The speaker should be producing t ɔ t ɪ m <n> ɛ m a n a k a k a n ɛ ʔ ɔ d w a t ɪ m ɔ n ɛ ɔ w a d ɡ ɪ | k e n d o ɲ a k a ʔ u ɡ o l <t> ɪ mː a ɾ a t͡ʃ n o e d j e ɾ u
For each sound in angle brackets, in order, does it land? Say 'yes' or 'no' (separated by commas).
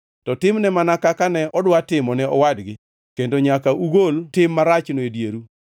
yes, yes